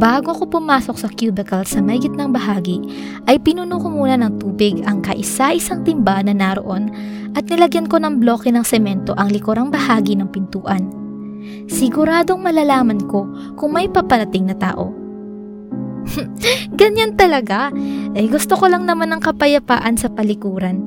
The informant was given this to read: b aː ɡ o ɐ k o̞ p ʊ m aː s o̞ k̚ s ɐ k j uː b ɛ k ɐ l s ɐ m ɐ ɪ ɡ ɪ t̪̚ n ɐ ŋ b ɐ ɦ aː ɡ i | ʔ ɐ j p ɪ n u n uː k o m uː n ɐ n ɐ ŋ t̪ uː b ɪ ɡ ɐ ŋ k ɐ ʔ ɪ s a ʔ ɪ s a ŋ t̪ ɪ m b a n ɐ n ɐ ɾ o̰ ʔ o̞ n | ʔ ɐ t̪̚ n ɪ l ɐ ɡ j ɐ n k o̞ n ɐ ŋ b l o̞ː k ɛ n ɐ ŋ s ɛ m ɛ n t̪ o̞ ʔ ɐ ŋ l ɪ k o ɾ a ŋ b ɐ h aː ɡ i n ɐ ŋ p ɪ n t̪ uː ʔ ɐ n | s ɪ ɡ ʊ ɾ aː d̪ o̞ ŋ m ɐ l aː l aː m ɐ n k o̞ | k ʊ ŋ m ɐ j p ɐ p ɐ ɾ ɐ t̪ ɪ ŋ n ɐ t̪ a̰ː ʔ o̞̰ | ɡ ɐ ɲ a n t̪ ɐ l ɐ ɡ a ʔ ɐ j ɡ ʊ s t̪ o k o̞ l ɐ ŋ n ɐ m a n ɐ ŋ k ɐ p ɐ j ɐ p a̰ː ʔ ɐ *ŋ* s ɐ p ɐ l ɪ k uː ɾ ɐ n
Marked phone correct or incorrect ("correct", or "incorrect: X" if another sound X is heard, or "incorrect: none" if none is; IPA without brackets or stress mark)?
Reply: incorrect: n